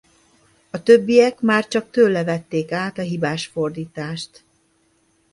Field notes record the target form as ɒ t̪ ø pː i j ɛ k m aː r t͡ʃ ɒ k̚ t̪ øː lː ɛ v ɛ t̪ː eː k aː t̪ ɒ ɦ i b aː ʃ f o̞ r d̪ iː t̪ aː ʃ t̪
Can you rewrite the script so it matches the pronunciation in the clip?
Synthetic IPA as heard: ɒ t̪ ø bː i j ɛ k m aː r t͡ʃ ɒ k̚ t̪ øː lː ɛ v ɛ t̪ː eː k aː t̪ ɒ ɦ i b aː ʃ f o̞ r d̪ iː t̪ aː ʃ t̪